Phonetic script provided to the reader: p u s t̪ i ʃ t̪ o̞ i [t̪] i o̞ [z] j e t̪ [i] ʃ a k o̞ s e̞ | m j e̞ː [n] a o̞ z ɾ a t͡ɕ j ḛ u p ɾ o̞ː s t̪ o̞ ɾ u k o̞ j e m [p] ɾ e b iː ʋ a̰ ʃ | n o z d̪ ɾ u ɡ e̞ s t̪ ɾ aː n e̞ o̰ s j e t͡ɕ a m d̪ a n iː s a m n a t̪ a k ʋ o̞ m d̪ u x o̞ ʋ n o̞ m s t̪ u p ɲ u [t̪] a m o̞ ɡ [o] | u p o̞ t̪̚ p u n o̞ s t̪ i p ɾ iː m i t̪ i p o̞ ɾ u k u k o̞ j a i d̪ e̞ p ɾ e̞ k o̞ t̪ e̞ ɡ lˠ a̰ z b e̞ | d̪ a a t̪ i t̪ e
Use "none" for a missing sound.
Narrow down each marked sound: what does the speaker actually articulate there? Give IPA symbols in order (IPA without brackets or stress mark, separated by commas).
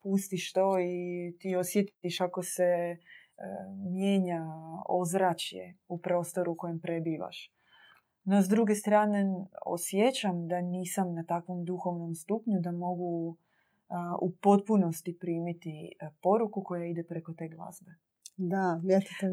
t̪, s, i, ɲ, p, d̪, u